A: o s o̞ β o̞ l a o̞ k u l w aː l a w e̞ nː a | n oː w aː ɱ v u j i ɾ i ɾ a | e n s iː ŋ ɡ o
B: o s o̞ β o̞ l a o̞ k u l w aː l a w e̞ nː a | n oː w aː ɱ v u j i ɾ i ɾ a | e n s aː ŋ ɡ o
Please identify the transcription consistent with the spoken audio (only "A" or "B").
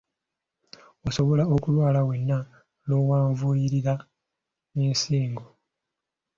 A